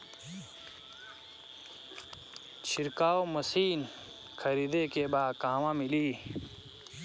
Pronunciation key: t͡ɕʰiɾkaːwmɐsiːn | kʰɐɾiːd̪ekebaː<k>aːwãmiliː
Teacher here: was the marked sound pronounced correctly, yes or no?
yes